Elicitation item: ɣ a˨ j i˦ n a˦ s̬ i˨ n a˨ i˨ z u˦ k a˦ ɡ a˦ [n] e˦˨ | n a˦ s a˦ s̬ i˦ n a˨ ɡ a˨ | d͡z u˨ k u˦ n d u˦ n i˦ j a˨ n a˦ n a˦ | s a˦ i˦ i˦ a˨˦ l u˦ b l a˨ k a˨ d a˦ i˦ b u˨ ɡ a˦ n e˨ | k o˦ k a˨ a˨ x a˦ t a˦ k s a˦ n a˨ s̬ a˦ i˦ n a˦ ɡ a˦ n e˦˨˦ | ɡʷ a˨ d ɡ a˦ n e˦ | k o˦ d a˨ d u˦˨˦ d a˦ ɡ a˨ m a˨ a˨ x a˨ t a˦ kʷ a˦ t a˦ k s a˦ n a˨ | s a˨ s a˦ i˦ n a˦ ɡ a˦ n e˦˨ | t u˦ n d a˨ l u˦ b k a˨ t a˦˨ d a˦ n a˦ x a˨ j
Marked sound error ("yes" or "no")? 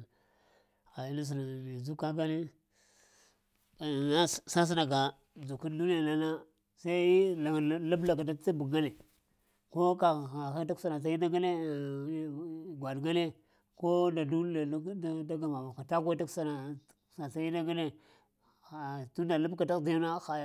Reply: no